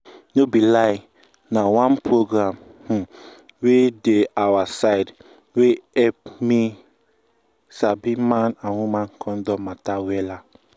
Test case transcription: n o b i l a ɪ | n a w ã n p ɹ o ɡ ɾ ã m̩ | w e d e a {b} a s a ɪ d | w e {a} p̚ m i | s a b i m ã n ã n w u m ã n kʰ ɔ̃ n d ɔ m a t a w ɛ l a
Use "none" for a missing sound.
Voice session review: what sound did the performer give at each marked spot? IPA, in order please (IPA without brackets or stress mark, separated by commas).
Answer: w, ɛ